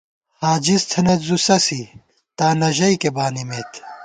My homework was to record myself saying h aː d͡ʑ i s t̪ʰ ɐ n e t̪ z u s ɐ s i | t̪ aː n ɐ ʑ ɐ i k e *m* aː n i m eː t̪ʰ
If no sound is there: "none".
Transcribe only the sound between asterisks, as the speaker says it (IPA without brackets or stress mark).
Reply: b